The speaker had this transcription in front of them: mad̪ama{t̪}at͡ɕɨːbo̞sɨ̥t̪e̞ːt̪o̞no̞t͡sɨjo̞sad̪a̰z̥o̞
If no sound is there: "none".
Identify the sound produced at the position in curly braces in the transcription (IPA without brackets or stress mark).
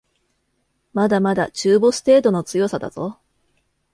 d̪